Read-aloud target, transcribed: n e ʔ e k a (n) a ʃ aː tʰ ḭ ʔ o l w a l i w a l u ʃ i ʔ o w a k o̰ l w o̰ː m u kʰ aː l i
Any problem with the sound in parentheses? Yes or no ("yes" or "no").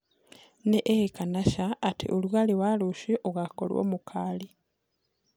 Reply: no